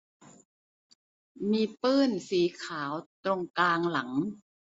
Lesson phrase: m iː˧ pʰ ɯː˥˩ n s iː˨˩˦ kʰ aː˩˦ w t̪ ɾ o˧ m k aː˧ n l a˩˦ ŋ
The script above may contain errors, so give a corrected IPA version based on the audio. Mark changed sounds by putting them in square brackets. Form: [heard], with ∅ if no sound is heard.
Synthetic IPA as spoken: m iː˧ [p] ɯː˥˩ n s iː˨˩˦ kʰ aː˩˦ w t̪ ɾ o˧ [ŋ] k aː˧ [ŋ] l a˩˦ ŋ